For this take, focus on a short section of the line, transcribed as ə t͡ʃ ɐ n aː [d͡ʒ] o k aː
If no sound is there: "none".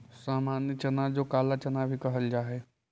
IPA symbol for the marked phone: d͡ʒ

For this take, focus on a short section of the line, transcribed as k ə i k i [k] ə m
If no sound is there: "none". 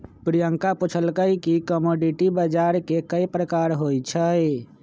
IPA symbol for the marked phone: k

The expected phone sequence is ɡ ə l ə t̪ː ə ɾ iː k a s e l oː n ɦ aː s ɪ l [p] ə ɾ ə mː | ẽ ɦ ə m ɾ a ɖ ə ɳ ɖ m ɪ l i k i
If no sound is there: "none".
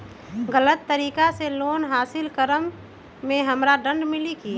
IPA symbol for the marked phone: k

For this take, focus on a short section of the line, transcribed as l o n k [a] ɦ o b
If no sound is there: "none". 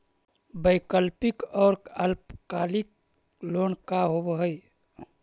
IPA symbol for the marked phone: a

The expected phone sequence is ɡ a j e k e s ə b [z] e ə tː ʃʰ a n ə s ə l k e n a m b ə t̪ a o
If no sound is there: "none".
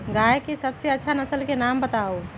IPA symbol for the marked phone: s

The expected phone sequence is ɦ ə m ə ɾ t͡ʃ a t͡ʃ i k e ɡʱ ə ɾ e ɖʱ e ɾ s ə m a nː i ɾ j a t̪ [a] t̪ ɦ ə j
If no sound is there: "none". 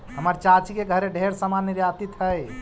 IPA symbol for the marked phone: i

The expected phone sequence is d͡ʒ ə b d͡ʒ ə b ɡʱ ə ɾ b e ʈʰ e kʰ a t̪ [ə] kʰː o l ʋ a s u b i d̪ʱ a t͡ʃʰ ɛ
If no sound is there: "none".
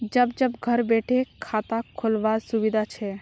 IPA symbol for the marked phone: a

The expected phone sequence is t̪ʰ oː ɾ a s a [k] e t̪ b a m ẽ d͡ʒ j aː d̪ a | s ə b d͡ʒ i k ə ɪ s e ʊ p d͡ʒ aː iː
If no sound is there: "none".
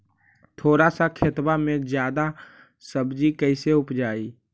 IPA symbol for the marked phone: kʰ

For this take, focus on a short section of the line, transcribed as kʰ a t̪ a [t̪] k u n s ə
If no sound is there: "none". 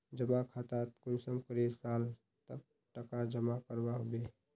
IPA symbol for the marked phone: t̪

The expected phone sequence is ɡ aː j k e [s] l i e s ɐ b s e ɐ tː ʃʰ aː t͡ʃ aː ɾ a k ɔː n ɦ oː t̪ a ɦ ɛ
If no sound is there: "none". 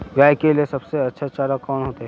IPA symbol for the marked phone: none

